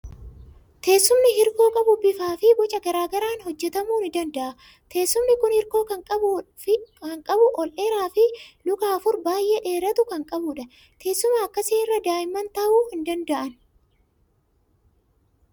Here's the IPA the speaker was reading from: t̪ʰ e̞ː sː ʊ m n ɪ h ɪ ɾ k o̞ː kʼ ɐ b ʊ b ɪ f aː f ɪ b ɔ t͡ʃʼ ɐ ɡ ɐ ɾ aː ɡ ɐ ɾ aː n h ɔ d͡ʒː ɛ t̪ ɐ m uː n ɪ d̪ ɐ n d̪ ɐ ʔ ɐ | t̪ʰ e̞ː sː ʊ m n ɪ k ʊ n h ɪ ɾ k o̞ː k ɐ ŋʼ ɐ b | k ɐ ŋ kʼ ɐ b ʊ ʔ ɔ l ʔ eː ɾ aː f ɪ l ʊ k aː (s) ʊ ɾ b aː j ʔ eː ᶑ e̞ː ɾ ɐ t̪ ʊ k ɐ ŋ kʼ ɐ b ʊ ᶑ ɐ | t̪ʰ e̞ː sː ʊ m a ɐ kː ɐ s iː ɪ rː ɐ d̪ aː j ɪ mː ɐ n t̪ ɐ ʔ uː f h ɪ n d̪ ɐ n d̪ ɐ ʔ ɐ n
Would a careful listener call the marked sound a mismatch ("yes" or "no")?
yes